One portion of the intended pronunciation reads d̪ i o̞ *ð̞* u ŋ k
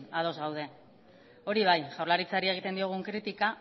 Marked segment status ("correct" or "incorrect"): incorrect